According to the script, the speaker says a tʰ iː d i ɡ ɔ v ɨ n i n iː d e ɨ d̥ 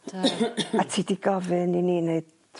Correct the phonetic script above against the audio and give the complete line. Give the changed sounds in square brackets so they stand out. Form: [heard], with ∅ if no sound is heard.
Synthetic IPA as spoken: a tʰ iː d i ɡ ɔ v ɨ n i n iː [n] e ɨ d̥

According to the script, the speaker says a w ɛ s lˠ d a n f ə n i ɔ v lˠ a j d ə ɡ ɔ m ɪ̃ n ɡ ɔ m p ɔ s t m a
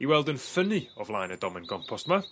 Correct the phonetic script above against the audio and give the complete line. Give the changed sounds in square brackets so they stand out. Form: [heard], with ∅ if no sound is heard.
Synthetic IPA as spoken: [i] w ɛ [∅] lˠ d [ə] n f ə n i ɔ v lˠ a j [n] ə [d] ɔ m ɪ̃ n ɡ ɔ m [pʰ] ɔ s t m a

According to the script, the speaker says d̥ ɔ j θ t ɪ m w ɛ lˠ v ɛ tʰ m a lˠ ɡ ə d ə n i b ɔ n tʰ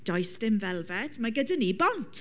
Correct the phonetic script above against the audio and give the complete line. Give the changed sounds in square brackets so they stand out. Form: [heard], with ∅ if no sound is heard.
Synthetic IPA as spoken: d̥ ɔ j [s] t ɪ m [v] ɛ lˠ v ɛ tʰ m a [∅] ɡ ə d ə n i b ɔ n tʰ

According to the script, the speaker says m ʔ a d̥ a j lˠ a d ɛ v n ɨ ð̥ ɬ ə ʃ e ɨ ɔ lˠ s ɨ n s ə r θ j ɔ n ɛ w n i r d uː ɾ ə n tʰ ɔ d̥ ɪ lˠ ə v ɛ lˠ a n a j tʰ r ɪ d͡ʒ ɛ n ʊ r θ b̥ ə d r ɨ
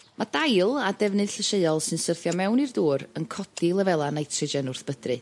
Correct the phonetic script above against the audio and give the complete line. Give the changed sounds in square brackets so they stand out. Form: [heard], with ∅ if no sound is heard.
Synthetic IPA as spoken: m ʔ a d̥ a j lˠ a d ɛ v n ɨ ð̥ ɬ ə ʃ e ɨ ɔ lˠ s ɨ n s ə r θ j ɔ [m] ɛ w n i r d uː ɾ ə n [kʰ] ɔ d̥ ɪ lˠ ə v ɛ lˠ a n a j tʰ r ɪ d͡ʒ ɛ n ʊ r θ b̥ ə d r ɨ

